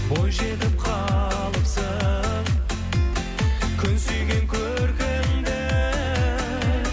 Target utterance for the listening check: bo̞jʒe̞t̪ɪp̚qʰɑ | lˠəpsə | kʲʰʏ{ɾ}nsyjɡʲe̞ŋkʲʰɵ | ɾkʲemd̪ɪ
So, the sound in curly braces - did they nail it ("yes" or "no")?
no